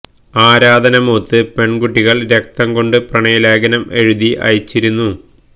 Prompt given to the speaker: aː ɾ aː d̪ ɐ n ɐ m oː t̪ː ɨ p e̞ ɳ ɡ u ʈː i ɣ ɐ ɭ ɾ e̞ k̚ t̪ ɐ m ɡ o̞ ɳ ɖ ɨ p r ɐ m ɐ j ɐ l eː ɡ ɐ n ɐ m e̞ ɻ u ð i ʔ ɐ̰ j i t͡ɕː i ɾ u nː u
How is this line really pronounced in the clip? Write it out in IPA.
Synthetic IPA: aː ɾ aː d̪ ɐ n ɐ m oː t̪ː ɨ p e̞ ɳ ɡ u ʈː i ɣ ɐ ɭ ɾ e̞ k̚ t̪ ɐ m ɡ o̞ ɳ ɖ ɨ p r ɐ ɳ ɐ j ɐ l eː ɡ ɐ n ɐ m e̞ ɻ u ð i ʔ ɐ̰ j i t͡ɕː i ɾ u nː u